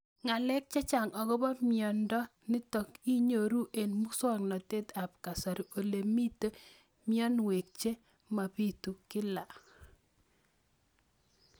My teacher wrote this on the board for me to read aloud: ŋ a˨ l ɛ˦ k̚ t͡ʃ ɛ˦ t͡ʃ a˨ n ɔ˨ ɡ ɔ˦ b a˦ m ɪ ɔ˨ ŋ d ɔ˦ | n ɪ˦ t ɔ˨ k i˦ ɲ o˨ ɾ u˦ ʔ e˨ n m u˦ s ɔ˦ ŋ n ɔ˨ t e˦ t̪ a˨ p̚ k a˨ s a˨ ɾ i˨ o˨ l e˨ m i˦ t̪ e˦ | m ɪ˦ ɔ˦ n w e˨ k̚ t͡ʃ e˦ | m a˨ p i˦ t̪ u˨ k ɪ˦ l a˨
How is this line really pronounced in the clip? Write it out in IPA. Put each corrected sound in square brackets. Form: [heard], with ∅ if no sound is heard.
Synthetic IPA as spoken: ŋ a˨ l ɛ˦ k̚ t͡ʃ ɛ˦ t͡ʃ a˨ [ŋ] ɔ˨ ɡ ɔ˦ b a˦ m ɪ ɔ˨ [n] d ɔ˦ | n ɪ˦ t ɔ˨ k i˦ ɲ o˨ ɾ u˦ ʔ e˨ n m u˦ s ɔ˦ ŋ n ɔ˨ t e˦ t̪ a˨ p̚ k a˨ s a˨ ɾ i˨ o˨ l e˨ m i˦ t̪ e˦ | m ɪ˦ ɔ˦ n w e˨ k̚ t͡ʃ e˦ | m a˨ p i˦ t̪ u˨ k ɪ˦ l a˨

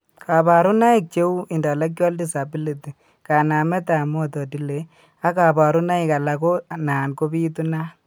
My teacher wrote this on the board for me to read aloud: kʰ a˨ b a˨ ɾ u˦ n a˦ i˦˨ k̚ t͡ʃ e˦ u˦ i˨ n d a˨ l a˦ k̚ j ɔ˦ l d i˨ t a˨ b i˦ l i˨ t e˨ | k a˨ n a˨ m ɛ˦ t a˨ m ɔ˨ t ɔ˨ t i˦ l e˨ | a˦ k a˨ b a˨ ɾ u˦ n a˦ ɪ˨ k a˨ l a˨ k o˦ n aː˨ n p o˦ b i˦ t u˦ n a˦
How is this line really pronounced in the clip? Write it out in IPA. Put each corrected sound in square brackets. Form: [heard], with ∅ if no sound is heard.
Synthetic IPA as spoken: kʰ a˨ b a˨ ɾ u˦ n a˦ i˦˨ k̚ t͡ʃ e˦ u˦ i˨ n d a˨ l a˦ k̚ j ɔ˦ l d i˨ [s] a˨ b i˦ l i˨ t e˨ | k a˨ n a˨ m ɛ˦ t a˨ m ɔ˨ t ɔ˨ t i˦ l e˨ | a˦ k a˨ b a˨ ɾ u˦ n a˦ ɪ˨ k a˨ l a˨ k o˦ n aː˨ n [k] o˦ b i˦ t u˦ n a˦

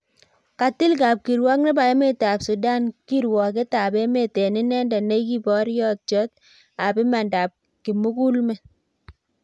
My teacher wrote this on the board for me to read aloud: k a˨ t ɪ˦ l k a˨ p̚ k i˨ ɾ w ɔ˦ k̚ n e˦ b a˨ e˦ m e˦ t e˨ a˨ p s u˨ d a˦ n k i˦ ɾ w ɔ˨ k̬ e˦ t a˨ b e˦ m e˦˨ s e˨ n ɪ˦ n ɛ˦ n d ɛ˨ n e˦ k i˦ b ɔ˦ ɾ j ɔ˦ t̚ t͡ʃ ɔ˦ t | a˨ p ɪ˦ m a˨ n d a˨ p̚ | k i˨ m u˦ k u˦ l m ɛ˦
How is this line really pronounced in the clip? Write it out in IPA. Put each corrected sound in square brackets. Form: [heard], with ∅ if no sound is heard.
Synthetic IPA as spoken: k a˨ t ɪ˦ l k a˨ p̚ k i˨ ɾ w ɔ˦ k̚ n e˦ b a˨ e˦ m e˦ t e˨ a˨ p s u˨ d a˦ n k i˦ ɾ w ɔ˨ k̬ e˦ t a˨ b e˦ m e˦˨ [t] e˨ n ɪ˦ n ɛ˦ n d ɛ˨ n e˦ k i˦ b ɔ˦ ɾ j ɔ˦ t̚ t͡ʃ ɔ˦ t | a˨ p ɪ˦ m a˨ n d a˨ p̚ | k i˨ m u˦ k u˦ l m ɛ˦

